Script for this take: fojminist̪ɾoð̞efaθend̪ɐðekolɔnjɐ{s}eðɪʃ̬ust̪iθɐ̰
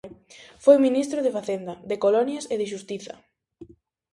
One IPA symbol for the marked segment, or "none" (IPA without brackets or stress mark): s